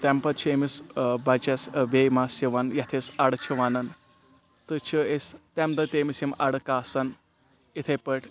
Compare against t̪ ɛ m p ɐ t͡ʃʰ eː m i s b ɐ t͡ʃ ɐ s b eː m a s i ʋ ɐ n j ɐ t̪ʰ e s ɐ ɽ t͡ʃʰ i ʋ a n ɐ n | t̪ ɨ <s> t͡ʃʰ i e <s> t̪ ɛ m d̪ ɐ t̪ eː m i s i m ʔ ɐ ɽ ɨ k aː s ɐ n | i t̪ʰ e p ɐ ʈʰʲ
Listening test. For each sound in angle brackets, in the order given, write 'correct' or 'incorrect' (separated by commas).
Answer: incorrect, correct